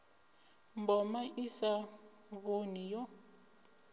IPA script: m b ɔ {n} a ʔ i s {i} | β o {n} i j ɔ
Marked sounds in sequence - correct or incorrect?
incorrect, incorrect, correct

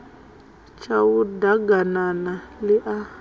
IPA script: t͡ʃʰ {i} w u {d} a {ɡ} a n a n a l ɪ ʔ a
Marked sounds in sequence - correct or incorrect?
incorrect, correct, correct

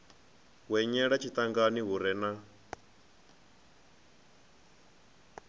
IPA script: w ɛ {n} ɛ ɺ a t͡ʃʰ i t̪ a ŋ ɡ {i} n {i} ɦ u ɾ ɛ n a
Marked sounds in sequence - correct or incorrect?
incorrect, incorrect, correct

